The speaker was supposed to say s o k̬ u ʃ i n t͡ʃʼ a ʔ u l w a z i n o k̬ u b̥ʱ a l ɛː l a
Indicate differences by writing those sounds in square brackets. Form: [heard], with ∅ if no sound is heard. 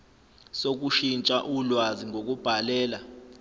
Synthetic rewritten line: s o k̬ u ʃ i n t͡ʃʼ a ʔ u l w a z i [ŋ] o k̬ u b̥ʱ a l ɛː l a